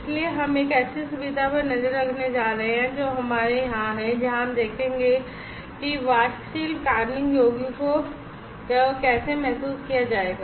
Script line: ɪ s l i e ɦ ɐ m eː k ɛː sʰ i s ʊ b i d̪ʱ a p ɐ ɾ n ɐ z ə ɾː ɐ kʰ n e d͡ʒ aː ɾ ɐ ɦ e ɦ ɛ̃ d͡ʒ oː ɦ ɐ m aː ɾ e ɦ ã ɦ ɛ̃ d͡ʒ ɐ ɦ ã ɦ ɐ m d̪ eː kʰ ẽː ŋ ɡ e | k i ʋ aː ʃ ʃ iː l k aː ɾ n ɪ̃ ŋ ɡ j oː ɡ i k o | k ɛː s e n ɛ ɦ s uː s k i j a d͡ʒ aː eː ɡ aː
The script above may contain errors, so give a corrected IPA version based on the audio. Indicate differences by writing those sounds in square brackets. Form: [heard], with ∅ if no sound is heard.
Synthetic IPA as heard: ɪ s l i e ɦ ɐ m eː k ɛː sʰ i s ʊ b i d̪ʱ a p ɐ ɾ n ɐ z ə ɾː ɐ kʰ n e d͡ʒ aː ɾ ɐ ɦ e ɦ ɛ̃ d͡ʒ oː ɦ ɐ m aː ɾ e ɦ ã ɦ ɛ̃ d͡ʒ ɐ ɦ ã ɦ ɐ m d̪ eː kʰ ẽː ŋ ɡ e | k i ʋ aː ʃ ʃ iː l k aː ɾ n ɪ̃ ŋ ɡ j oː ɡ i k o | k ɛː s e [m] ɛ ɦ s uː s k i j a d͡ʒ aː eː ɡ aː